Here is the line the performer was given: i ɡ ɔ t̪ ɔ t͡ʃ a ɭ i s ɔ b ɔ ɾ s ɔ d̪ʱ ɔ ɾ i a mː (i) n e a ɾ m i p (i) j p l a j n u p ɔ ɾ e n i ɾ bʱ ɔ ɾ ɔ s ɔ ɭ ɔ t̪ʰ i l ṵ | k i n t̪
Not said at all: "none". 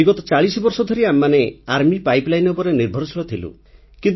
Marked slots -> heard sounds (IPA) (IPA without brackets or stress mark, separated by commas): a, a